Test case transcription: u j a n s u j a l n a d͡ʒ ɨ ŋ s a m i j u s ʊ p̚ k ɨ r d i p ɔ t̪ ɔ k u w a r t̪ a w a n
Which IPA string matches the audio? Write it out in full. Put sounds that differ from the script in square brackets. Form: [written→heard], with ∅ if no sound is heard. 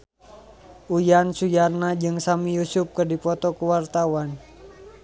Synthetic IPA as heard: u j a n s u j a [l→r] n a d͡ʒ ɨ ŋ s a m i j u s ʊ p̚ k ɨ r d i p ɔ t̪ ɔ k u w a r t̪ a w a n